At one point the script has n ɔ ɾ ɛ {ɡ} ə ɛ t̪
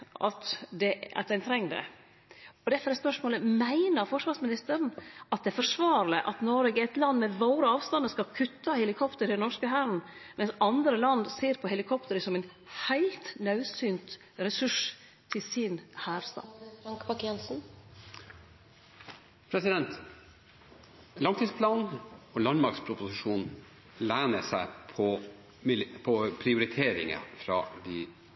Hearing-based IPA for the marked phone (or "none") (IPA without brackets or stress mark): ɡ